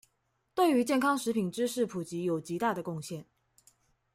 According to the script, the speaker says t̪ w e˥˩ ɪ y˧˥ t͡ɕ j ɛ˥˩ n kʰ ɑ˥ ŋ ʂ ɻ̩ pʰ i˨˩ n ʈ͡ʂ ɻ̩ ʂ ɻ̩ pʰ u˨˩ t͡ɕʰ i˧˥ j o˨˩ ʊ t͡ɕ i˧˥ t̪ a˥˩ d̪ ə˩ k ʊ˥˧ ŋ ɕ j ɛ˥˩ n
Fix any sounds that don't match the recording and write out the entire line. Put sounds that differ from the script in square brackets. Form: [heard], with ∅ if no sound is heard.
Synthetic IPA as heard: t̪ w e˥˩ ɪ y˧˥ t͡ɕ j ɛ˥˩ n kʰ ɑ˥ ŋ ʂ ɻ̩ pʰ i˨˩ n ʈ͡ʂ ɻ̩ ʂ ɻ̩ pʰ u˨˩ [t͡ɕ] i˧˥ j o˨˩ ʊ t͡ɕ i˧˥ t̪ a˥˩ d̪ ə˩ k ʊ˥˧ ŋ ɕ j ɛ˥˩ n